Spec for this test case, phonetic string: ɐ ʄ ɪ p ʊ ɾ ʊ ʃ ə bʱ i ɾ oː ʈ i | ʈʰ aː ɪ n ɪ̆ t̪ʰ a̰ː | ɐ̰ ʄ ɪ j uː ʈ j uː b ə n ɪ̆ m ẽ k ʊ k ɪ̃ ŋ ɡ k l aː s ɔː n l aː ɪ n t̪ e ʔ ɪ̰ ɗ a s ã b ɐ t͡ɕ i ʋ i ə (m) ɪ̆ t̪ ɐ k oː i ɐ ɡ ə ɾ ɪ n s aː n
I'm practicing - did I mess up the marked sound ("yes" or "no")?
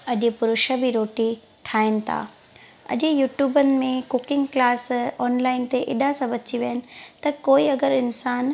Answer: yes